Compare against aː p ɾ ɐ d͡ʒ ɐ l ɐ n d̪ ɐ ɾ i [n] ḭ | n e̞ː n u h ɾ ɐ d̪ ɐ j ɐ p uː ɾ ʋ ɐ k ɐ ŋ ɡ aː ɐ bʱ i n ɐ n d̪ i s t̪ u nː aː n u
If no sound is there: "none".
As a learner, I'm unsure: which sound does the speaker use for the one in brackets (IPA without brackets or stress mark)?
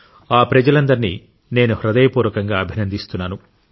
n